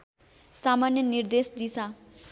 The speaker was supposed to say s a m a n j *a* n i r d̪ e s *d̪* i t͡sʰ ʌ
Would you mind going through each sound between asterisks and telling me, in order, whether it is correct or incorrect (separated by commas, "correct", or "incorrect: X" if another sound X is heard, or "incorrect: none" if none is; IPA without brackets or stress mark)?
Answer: incorrect: ʌ, correct